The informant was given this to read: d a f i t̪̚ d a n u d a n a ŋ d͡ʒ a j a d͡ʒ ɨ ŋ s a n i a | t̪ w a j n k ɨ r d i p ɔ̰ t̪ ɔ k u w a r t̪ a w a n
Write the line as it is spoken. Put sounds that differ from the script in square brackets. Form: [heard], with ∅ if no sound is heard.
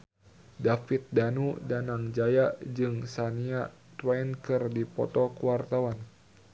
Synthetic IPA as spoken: d a f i t̪̚ d a n u d a n a ŋ d͡ʒ a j a d͡ʒ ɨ ŋ s a n i a | t̪ w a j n k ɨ r d i p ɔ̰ t̪ ɔ k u w a r t̪ a w a n